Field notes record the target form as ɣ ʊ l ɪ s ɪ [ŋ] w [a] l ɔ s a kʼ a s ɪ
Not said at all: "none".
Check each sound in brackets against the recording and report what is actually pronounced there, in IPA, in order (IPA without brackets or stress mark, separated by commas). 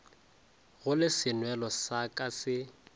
n, ɛ